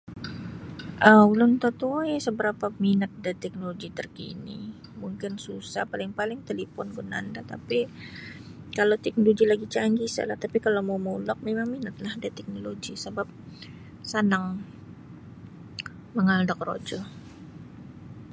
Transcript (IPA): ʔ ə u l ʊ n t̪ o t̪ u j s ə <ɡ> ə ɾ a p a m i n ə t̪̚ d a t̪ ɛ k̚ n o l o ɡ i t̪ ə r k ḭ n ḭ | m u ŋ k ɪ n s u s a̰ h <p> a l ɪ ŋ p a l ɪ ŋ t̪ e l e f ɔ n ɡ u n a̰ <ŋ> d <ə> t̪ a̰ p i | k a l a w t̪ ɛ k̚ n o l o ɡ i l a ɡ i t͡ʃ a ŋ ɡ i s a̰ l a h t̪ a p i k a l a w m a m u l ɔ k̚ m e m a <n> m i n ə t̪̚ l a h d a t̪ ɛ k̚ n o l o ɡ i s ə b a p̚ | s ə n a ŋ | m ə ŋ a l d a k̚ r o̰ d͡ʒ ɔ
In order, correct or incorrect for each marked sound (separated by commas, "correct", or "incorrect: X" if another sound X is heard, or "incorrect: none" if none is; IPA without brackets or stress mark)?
incorrect: b, correct, incorrect: n, incorrect: a, incorrect: ŋ